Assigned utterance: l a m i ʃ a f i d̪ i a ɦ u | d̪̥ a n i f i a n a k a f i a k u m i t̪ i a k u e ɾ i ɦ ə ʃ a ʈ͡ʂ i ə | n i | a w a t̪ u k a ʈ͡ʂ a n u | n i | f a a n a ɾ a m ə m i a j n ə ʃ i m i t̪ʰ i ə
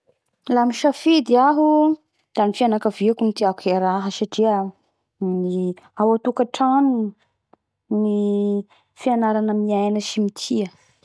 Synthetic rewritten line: l a m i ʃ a f i d̪ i a ɦ u | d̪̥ a n i f i a n a k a v i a k u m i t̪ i a k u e ɾ a ɦ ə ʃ a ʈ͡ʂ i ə | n i | a w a t̪ u k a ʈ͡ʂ a n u | n i | f i a n a ɾ a n ə m i a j n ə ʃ i m i t̪ʰ i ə